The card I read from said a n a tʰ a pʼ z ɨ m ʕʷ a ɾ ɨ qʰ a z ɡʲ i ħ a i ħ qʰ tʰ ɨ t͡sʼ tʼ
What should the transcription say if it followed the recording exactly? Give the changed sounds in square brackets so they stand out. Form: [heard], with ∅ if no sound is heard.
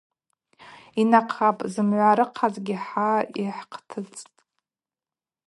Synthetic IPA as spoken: [i] n a [qʰ] a pʼ z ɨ m ʕʷ a ɾ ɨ qʰ a z ɡʲ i ħ a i ħ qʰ tʰ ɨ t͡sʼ tʼ